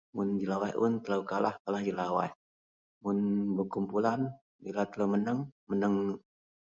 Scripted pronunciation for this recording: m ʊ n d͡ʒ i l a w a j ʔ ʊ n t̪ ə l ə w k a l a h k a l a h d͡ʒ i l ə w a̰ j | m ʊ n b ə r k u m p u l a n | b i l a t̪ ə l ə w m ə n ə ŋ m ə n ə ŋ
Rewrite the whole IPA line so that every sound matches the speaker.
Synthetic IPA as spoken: m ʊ n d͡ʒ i l a w a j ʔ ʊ n t̪ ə l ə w k a l a h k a l a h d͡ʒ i l a w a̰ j | m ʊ n b ə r k u m p u l a n | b i l a t̪ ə l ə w m ə n ə ŋ m ə n ə ŋ

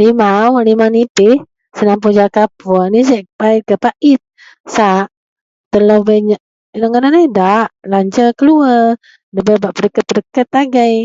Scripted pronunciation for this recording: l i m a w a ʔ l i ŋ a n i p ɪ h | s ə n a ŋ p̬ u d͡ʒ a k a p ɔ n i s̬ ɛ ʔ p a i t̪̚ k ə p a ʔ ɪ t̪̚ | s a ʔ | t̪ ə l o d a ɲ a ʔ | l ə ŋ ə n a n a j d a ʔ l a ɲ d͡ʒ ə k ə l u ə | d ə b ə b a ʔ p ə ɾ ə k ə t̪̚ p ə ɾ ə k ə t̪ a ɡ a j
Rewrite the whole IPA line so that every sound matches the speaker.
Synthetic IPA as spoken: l i m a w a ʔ l i m a n i p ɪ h | s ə n a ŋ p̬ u d͡ʒ a k a p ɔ n i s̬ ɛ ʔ p a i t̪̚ k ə p a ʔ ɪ t̪̚ | s a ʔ | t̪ ə l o b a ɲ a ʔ | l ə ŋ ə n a n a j d a ʔ l a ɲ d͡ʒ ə k ə l u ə | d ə b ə b a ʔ p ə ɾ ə k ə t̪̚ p ə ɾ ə k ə t̪ a ɡ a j

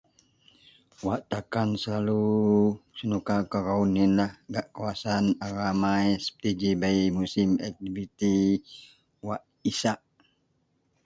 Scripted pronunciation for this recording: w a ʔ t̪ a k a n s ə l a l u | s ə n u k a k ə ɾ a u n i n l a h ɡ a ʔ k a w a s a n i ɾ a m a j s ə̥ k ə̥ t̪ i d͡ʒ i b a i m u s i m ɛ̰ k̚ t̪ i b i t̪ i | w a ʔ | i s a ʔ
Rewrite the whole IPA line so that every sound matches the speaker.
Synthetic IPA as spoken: w a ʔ t̪ a k a n s ə l a l u | s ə n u k a k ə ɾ a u n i n l a h ɡ a ʔ k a w a s a n a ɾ a m a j s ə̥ p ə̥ t̪ i d͡ʒ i b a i m u s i m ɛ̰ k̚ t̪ i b i t̪ i | w a ʔ | i s a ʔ

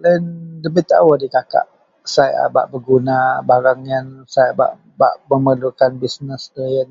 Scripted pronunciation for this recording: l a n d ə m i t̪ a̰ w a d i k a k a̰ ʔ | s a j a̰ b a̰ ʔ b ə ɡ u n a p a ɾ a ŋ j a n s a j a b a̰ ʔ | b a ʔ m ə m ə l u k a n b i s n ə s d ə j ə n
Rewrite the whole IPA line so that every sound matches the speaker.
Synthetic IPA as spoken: l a n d ə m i t̪ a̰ w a d i k a k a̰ ʔ | s a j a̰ b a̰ ʔ b ə ɡ u n a b a ɾ a ŋ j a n s a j a b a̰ ʔ | b a ʔ m ə m ə l u k a n b i s n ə s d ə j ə n

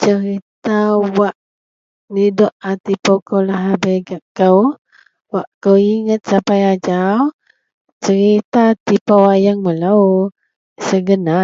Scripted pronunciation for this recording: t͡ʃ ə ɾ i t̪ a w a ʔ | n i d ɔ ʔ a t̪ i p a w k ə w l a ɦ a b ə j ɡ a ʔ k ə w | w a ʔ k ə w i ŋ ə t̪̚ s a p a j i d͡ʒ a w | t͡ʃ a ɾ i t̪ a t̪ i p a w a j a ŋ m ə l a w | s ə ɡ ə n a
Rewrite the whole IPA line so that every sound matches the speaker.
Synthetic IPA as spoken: t͡ʃ ə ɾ i t̪ a w a ʔ | n i d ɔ ʔ a t̪ i p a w k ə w l a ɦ a b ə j ɡ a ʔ k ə w | w a ʔ k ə w i ŋ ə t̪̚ s a p a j a d͡ʒ a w | t͡ʃ ə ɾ i t̪ a t̪ i p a w a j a ŋ m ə l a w | s ə ɡ ə n a

